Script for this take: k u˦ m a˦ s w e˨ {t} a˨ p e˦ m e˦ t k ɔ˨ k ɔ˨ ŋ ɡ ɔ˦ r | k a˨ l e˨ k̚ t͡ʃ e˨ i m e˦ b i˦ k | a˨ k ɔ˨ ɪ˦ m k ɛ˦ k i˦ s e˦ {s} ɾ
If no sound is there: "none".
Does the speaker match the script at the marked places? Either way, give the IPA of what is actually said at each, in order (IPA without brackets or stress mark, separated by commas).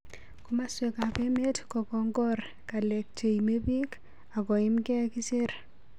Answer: k, none